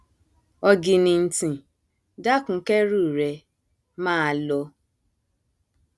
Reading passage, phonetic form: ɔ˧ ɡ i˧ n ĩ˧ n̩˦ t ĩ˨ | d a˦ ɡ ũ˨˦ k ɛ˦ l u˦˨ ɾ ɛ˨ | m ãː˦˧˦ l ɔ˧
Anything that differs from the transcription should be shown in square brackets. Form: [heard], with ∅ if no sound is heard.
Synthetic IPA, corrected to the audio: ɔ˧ ɡ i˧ n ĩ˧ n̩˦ t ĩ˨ | d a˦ [k] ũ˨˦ k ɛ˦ [ɾ] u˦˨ ɾ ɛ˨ | m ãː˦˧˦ l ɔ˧